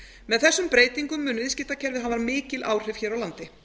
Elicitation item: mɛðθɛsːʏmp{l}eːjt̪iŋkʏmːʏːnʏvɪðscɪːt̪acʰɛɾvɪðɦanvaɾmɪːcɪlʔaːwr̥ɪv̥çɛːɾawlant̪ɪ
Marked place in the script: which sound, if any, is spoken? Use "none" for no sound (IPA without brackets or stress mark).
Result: ɾ